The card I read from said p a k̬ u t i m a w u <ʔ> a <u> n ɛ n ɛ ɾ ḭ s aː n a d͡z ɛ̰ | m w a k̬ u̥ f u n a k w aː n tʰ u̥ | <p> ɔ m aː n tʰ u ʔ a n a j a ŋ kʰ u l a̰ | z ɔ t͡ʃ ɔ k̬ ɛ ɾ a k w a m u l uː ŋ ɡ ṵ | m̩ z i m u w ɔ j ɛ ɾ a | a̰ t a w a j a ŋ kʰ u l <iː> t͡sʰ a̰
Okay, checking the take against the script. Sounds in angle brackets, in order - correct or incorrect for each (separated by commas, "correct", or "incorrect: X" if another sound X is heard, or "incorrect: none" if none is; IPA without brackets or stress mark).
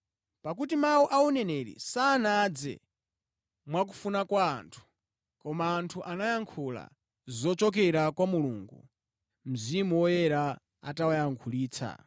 correct, correct, incorrect: k, correct